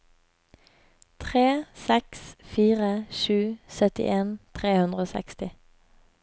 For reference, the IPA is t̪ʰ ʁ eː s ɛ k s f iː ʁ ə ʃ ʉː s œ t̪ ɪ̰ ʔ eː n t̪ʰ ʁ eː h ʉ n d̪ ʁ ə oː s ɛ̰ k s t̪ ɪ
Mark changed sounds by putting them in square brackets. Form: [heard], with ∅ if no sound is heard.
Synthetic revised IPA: t̪ʰ ʁ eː s ɛ k s f iː ʁ ə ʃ ʉː s œ t̪ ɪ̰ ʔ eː n t̪ʰ ʁ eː h ʉ n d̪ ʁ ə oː s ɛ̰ k s t̪ ɪ